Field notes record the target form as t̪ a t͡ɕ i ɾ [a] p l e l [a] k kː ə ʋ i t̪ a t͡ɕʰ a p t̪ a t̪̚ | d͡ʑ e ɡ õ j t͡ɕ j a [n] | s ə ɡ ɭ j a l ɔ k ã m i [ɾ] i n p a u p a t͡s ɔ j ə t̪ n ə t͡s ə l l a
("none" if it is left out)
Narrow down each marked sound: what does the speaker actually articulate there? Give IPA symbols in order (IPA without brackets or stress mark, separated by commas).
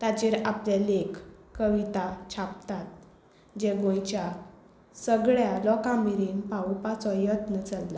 a, e, none, ɾ